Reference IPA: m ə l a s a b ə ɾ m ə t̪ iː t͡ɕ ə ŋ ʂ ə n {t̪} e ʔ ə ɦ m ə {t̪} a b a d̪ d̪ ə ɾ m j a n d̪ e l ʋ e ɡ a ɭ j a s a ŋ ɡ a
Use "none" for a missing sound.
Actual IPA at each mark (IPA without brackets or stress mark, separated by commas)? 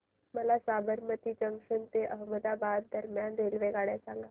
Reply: t̪, d̪